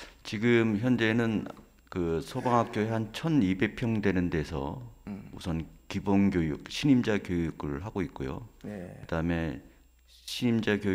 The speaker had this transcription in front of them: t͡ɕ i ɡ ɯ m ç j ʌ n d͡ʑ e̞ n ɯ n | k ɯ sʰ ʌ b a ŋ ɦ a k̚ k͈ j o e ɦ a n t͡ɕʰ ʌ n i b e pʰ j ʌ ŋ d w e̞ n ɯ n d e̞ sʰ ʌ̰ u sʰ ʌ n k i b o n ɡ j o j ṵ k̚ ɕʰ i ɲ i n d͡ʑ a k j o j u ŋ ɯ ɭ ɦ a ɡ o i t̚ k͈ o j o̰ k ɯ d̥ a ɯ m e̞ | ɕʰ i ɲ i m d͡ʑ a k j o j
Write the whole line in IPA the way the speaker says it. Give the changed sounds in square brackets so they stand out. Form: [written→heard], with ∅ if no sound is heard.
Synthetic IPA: t͡ɕ i ɡ ɯ m ç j ʌ n d͡ʑ e̞ n ɯ n | k ɯ sʰ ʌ b a ŋ ɦ a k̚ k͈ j o e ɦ a n t͡ɕʰ ʌ n i b e pʰ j ʌ ŋ d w e̞ n ɯ n d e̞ sʰ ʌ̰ u sʰ ʌ n k i b o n ɡ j o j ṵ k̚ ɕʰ i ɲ i [n→m] d͡ʑ a k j o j u [ŋ→ɡ] ɯ ɭ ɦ a ɡ o i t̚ k͈ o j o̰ k ɯ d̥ a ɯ m e̞ | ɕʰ i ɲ i m d͡ʑ a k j o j

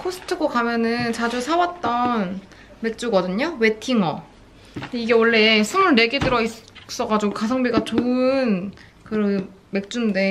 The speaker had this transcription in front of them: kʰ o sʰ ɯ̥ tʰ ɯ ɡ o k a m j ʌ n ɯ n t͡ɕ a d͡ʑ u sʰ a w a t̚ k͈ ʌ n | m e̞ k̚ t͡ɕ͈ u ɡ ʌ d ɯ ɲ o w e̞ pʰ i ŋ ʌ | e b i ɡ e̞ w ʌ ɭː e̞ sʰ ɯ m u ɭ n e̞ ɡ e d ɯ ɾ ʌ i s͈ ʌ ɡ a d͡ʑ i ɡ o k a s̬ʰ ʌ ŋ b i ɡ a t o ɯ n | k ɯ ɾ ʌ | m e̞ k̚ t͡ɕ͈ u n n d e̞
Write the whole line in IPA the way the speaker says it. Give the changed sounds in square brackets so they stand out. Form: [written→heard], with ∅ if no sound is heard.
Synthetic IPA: kʰ o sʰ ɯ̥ tʰ ɯ ɡ o k a m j ʌ n ɯ n t͡ɕ a d͡ʑ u sʰ a w a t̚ [k͈→t͈] ʌ n | m e̞ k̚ t͡ɕ͈ u ɡ ʌ d ɯ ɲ o w e̞ [pʰ→tʰ] i ŋ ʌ | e [b→∅] i ɡ e̞ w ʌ ɭː e̞ sʰ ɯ m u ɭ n e̞ ɡ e d ɯ ɾ ʌ i s͈ ʌ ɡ a d͡ʑ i ɡ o k a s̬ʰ ʌ ŋ b i ɡ a [t→t͡ɕ] o ɯ n | k ɯ ɾ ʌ | m e̞ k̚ t͡ɕ͈ u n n d e̞

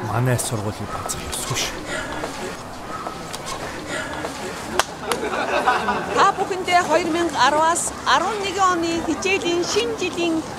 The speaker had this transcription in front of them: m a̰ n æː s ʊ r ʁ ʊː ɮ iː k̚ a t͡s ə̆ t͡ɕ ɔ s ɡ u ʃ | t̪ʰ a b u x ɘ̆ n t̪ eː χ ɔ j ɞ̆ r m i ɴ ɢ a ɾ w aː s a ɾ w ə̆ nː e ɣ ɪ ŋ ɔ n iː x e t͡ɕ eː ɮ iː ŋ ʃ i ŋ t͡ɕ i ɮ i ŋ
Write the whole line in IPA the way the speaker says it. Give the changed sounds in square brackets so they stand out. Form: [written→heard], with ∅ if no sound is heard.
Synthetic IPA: m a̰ n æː s ʊ r ʁ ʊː ɮ iː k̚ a t͡s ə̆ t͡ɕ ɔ s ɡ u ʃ | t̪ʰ a [b→p] u x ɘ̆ n t̪ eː χ ɔ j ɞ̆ r m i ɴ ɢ a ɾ w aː s a ɾ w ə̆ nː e ɣ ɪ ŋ ɔ n iː x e t͡ɕ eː ɮ iː ŋ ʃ i [ŋ→n] t͡ɕ i ɮ [i→iː] ŋ

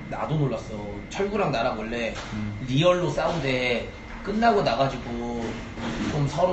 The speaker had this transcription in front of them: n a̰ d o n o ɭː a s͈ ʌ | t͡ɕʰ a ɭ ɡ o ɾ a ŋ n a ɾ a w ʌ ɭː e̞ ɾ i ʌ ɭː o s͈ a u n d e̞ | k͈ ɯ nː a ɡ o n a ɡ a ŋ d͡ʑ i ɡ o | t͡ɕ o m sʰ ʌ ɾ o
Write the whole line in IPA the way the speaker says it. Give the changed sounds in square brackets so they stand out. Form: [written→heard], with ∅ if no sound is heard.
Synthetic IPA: n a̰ d o n o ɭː a s͈ ʌ | t͡ɕʰ [a→ʌ] ɭ ɡ [o→u] ɾ a ŋ n a ɾ a w ʌ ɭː e̞ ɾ i ʌ ɭː o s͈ a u n d e̞ | k͈ ɯ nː a ɡ o n a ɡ a [ŋ→∅] d͡ʑ i ɡ o | t͡ɕ o m sʰ ʌ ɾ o

